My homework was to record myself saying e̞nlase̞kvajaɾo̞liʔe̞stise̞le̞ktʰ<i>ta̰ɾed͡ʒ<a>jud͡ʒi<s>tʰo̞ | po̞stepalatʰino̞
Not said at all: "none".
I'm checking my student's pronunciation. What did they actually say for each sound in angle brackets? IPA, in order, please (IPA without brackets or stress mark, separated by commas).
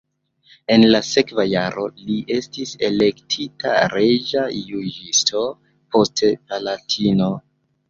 i, a, s